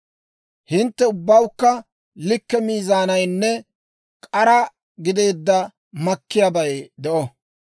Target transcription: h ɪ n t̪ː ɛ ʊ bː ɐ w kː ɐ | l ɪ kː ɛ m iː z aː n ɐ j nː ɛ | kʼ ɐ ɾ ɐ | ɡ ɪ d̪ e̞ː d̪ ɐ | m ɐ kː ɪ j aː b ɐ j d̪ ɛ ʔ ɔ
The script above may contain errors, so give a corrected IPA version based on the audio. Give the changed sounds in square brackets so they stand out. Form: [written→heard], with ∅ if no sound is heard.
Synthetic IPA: h ɪ n t̪ː ɛ ʊ bː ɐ w kː ɐ | l ɪ kː ɛ m iː z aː n ɐ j nː ɛ | kʼ ɐ ɾ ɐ | ɡ ɪ d̪ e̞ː [d̪→d̪ː] ɐ | m ɐ kː ɪ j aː b ɐ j d̪ ɛ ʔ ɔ